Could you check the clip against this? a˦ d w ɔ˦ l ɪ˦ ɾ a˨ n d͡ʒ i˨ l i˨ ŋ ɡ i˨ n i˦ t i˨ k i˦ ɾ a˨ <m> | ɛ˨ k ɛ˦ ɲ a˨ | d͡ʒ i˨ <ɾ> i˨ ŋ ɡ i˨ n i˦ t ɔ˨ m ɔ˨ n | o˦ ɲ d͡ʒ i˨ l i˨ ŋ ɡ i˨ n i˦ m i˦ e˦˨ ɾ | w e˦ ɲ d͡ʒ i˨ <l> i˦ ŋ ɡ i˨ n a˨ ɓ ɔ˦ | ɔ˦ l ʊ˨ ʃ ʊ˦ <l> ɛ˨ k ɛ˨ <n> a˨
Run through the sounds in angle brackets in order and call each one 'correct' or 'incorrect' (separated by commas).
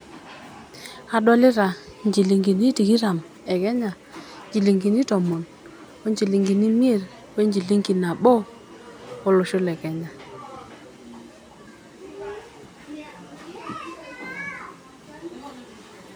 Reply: correct, incorrect, correct, correct, incorrect